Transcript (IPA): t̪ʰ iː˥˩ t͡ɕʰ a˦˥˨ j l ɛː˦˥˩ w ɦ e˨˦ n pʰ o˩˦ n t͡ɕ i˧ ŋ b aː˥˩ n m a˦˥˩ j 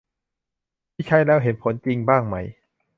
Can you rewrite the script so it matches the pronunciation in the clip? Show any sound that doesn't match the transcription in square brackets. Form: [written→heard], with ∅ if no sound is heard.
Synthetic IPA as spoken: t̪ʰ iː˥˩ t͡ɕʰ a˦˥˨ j l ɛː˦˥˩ w ɦ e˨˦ n pʰ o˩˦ n t͡ɕ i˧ ŋ b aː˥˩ [n→ŋ] m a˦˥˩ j